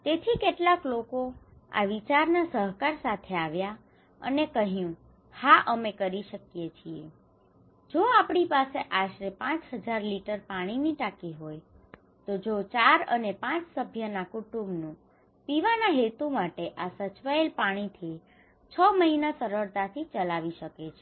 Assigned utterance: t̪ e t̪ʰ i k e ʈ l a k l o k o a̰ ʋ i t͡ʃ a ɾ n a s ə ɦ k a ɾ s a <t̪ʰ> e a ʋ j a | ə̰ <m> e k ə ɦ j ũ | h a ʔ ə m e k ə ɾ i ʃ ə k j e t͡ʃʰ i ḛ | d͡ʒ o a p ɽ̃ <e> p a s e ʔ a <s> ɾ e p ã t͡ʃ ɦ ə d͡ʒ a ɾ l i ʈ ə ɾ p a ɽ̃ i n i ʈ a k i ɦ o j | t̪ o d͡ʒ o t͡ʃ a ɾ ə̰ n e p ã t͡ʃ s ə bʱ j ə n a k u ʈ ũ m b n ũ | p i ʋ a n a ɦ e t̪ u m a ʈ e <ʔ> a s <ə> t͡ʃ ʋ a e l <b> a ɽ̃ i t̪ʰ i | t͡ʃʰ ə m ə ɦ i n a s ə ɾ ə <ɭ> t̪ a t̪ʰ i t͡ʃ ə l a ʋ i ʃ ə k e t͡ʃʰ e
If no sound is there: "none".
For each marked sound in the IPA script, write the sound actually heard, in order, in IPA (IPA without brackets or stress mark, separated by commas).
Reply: t̪ʰ, n, i, ʃ, ʔ, ə, p, ɾ